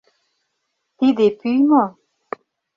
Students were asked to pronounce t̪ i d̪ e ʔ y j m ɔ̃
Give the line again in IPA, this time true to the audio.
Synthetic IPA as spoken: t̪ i d̪ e p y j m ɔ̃